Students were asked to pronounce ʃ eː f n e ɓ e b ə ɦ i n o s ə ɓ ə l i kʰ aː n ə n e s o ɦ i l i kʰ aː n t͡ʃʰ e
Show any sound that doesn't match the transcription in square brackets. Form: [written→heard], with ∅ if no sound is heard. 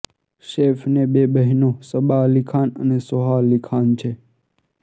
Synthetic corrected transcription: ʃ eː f n e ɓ e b ə ɦ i n o s ə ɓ [ə→a] l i kʰ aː n ə n e s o ɦ [i→a] l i kʰ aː n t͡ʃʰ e